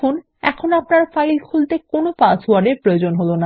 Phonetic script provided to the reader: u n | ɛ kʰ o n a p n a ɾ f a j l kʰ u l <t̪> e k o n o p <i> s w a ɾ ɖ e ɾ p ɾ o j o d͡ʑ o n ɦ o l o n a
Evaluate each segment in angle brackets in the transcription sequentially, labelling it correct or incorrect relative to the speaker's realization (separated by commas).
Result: correct, incorrect